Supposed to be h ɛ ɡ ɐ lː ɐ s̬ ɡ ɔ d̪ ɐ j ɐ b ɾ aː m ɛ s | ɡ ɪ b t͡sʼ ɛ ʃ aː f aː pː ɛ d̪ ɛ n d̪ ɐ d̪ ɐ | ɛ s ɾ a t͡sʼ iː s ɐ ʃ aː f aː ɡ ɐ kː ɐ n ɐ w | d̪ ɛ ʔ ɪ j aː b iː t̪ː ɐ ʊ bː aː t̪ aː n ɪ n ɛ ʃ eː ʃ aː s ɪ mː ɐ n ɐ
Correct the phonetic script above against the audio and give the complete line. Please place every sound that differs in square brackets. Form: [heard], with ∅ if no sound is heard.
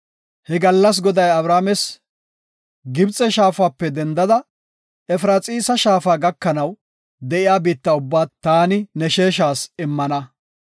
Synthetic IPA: h ɛ ɡ ɐ lː ɐ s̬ ɡ ɔ d̪ ɐ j ɐ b ɾ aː m ɛ s | ɡ ɪ b t͡sʼ ɛ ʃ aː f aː pː ɛ d̪ ɛ n d̪ ɐ d̪ ɐ | ɛ [f] ɾ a t͡sʼ iː s ɐ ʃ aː f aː ɡ ɐ kː ɐ n ɐ w | d̪ ɛ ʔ ɪ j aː b iː t̪ː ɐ ʊ bː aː t̪ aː n ɪ n ɛ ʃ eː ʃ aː s ɪ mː ɐ n ɐ